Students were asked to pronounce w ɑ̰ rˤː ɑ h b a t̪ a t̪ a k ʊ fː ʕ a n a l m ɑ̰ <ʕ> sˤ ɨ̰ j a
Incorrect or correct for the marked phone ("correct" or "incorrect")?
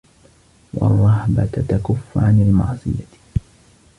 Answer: correct